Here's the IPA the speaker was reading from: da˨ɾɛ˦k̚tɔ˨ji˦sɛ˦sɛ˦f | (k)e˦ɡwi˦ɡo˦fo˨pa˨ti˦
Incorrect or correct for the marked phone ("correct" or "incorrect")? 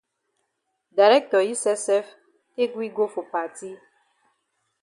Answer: correct